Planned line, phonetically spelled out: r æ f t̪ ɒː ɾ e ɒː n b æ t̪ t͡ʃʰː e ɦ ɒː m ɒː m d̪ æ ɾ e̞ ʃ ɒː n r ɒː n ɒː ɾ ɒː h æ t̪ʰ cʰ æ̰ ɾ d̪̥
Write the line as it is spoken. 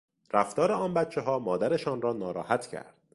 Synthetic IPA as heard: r æ f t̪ ɒː ɾ e ɒː n b æ t̪ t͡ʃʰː e ɦ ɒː m ɒː d̪ æ ɾ e̞ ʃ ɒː n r ɒː n ɒː ɾ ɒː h æ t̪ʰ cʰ æ̰ ɾ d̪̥